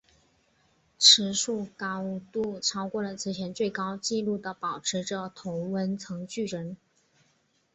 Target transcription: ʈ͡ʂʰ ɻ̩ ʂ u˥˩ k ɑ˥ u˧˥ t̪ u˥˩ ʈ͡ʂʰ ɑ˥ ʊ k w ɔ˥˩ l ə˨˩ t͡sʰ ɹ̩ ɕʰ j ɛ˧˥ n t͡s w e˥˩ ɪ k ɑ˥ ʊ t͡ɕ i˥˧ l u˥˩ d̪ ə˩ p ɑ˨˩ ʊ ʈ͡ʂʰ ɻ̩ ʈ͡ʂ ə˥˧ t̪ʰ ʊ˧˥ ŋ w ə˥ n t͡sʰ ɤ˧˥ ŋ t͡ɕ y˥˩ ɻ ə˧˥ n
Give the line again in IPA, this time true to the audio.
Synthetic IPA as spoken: ʈ͡ʂʰ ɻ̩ ʂ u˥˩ k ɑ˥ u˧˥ t̪ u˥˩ ʈ͡ʂʰ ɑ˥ ʊ k w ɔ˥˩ l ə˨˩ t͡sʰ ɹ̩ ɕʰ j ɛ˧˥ n t͡s w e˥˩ ɪ k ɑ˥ ʊ t͡ɕ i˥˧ l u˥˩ d̪ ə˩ p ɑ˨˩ ʊ ʈ͡ʂʰ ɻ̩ ʈ͡ʂ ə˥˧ t̪ʰ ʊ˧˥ ŋ w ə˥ n t͡sʰ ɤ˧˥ ŋ t͡ɕ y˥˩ ɻ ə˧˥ n

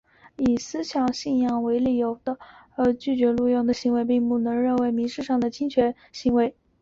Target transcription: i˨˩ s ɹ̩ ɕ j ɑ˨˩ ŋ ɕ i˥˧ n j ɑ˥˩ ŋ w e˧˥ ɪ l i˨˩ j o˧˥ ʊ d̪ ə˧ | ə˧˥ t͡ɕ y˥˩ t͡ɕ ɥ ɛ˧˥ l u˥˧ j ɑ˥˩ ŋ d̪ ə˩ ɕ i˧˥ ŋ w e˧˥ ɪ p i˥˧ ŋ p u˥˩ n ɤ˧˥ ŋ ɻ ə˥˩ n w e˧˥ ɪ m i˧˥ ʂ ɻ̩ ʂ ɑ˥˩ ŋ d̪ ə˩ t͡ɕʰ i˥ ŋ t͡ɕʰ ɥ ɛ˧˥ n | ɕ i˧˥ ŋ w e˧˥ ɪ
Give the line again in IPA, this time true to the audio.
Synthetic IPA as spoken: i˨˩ s ɹ̩ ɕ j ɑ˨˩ ŋ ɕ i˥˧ n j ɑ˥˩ ŋ w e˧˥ ɪ l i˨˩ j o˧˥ ʊ d̪ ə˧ | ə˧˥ t͡ɕ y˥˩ t͡ɕ ɥ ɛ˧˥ l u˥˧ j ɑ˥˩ ŋ d̪ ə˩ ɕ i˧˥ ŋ w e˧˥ ɪ p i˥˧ ŋ p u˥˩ n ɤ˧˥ ŋ ɻ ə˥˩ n w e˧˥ ɪ m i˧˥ ʂ ɻ̩ ʂ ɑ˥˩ ŋ d̪ ə˩ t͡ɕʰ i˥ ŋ t͡ɕʰ ɥ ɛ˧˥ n | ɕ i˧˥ ŋ w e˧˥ ɪ

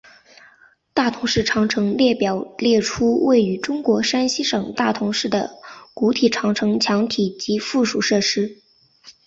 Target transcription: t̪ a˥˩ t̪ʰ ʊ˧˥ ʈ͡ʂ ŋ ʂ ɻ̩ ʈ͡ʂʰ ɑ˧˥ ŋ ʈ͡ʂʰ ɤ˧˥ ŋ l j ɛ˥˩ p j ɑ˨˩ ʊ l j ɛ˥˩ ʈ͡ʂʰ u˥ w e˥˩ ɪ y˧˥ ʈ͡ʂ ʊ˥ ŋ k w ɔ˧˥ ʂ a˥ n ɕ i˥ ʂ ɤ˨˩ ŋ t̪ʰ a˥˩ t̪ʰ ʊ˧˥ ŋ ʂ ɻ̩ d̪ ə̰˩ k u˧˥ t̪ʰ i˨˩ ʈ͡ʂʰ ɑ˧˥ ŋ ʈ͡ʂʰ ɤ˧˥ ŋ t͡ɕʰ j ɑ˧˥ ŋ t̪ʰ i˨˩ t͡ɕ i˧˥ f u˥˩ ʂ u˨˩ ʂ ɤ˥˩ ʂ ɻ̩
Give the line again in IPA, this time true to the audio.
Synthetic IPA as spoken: t̪ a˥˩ t̪ʰ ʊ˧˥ ŋ ʂ ɻ̩ ʈ͡ʂʰ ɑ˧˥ ŋ ʈ͡ʂʰ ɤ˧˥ ŋ l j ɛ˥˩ p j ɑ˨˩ ʊ l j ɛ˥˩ ʈ͡ʂʰ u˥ w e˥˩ ɪ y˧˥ ʈ͡ʂ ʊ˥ ŋ k w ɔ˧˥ ʂ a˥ n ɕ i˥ ʂ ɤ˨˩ ŋ t̪ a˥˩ t̪ʰ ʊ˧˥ ŋ ʂ ɻ̩ d̪ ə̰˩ k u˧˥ t̪ʰ i˨˩ ʈ͡ʂʰ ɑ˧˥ ŋ ʈ͡ʂʰ ɤ˧˥ ŋ t͡ɕʰ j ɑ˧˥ ŋ t̪ʰ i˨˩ t͡ɕ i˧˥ f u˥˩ ʂ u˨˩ ʂ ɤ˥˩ ʂ ɻ̩

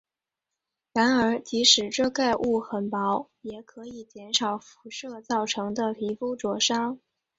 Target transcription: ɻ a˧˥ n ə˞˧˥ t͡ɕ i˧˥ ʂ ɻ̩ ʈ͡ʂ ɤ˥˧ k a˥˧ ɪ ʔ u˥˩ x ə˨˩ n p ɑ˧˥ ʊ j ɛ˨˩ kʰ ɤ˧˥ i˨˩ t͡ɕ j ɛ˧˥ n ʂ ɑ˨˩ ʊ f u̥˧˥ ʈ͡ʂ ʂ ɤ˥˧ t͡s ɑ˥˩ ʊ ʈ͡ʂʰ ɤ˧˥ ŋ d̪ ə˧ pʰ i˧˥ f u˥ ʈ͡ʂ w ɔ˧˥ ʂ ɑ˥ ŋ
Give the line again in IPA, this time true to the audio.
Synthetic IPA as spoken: ɻ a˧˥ n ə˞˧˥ t͡ɕ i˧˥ ʂ ɻ̩ ʈ͡ʂ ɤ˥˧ k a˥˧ ɪ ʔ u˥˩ x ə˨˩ n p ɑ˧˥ ʊ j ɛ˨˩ kʰ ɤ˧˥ i˨˩ t͡ɕ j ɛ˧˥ n ʂ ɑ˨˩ ʊ f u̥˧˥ ʂ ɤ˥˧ t͡s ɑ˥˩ ʊ ʈ͡ʂʰ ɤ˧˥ ŋ d̪ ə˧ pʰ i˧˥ f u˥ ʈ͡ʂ w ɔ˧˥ ʂ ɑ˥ ŋ

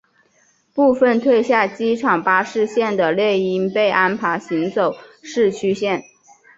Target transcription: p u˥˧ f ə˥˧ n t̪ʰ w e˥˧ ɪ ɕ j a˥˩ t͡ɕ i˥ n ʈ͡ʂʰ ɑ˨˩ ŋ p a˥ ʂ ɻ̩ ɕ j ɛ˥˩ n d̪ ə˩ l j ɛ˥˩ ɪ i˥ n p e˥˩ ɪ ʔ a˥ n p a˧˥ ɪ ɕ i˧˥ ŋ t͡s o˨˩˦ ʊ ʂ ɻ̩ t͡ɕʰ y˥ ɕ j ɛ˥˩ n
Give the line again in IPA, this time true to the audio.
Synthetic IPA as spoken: p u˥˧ f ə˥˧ n t̪ʰ w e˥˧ ɪ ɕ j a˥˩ t͡ɕ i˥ ʈ͡ʂʰ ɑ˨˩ ŋ p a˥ ʂ ɻ̩ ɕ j ɛ˥˩ n d̪ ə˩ l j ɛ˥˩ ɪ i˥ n p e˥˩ ɪ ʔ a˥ n pʰ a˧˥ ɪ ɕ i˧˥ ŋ t͡s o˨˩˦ ʊ ʂ ɻ̩ t͡ɕʰ y˥ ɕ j ɛ˥˩ n

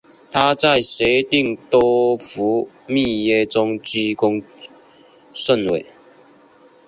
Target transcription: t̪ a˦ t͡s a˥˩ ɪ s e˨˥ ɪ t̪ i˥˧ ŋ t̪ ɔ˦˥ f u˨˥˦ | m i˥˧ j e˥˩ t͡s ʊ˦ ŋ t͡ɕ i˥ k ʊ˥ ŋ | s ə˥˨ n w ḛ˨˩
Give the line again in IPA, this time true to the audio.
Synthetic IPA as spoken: t̪ʰ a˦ t͡s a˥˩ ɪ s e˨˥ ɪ t̪ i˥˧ ŋ t̪ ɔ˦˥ f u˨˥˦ | m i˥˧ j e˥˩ t͡s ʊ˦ ŋ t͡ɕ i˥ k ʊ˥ ŋ | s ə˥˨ n w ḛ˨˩

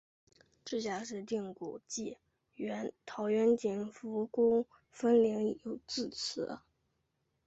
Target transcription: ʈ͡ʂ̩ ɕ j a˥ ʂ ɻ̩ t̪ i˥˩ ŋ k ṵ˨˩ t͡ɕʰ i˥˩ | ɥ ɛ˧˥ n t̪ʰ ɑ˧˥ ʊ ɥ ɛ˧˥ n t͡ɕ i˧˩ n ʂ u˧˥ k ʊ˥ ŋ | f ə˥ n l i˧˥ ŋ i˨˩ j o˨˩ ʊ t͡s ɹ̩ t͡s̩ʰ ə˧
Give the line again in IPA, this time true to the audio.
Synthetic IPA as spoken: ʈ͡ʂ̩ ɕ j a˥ ʂ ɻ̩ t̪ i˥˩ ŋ k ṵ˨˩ t͡ɕ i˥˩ | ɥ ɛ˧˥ n t̪ʰ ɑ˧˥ ʊ ɥ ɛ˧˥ n t͡ɕ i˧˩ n f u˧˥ k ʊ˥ ŋ | f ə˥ n l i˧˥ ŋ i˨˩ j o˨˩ ʊ t͡s ɹ̩ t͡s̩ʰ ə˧

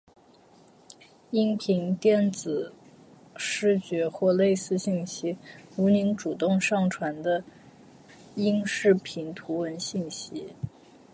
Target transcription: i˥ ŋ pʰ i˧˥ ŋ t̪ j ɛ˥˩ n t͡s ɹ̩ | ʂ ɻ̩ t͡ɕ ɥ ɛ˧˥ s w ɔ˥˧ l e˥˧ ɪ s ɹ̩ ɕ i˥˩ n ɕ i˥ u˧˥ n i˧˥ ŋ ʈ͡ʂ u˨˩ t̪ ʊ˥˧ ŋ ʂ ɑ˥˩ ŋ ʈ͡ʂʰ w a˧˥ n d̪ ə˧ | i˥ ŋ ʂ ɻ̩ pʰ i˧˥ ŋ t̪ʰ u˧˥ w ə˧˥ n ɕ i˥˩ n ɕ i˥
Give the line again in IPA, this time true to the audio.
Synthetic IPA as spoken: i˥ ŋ pʰ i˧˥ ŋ t̪ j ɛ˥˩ n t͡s ɹ̩ | ʂ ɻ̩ t͡ɕ ɥ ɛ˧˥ x w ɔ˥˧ l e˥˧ ɪ s ɹ̩ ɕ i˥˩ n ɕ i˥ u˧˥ n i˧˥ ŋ ʈ͡ʂ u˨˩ t̪ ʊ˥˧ ŋ ʂ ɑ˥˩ ŋ ʈ͡ʂʰ w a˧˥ n d̪ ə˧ | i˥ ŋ ʂ ɻ̩ pʰ i˧˥ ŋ t̪ʰ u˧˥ w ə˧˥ n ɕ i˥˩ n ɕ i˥

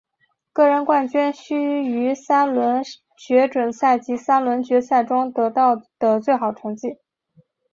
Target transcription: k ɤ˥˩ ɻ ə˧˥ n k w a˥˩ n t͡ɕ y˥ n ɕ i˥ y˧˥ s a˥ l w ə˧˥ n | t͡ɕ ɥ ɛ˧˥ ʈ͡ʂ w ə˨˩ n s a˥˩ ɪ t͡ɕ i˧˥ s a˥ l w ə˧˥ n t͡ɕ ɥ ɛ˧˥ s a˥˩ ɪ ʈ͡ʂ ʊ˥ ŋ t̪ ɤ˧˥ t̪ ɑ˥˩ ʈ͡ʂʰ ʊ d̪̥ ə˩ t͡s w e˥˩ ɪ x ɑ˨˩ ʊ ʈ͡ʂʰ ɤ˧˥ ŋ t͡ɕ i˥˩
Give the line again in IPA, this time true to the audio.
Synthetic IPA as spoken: k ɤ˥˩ ɻ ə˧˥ n k w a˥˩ n t͡ɕ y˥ n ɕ y˥ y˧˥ s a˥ l w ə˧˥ n | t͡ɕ ɥ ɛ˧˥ ʈ͡ʂ w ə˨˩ n s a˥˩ ɪ t͡ɕ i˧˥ s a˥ l w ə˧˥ n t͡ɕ ɥ ɛ˧˥ s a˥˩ ɪ ʈ͡ʂ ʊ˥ ŋ t̪ ɤ˧˥ t̪ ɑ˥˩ ʊ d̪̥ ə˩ t͡s w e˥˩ ɪ x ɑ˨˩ ʊ ʈ͡ʂʰ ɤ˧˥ ŋ t͡ɕ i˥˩

